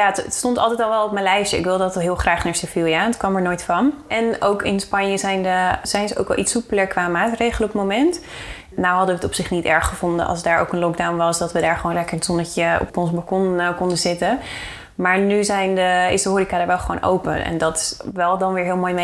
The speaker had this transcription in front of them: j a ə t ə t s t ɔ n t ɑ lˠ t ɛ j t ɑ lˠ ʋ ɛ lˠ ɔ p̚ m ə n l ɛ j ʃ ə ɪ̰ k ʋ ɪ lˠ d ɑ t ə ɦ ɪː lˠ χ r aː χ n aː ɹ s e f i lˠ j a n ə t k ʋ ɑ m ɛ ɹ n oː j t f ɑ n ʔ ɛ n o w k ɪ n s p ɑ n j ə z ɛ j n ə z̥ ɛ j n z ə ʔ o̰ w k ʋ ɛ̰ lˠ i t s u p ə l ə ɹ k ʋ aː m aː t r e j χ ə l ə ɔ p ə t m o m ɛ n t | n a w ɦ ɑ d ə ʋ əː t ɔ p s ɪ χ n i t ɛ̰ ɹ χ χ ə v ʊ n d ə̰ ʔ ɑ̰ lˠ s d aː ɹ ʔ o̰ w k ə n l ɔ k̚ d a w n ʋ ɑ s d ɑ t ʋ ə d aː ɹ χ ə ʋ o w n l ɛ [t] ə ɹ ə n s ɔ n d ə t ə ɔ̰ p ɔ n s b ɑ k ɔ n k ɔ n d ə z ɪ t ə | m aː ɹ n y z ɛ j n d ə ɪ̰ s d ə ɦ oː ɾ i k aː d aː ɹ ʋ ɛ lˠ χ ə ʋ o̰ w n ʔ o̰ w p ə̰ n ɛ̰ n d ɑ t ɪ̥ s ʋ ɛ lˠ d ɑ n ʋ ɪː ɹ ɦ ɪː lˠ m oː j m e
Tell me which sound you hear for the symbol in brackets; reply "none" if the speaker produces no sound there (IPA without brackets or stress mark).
k